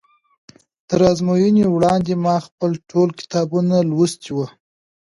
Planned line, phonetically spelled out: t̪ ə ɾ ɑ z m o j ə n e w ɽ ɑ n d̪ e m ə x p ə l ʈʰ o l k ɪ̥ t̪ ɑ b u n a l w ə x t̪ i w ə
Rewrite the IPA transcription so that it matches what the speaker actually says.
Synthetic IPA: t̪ ə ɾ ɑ z m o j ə n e w ɽ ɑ n d̪ e m ɑ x p ə l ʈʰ o l k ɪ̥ t̪ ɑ b u n a l w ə s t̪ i w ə